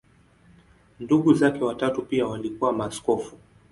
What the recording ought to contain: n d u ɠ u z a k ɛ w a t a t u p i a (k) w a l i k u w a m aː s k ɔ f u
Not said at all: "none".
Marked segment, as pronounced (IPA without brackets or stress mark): none